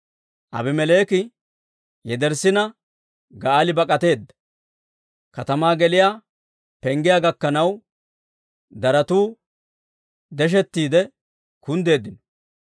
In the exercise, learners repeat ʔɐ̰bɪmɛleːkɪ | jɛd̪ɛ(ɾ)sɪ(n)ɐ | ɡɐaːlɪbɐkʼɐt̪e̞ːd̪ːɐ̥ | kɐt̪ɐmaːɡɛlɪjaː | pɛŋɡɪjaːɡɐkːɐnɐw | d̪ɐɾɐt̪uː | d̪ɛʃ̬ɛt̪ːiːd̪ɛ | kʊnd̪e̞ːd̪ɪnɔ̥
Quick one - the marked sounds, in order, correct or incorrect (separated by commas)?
correct, correct